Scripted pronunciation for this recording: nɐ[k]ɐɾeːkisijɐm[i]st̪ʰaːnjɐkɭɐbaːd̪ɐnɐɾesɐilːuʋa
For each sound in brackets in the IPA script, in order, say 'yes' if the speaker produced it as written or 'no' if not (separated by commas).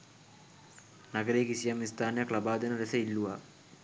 no, yes